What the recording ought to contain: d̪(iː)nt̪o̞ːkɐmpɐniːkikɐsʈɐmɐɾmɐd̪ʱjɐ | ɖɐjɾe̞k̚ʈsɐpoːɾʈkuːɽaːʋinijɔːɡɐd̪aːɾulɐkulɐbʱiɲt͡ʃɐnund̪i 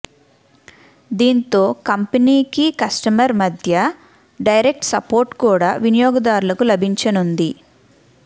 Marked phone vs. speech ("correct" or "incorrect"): correct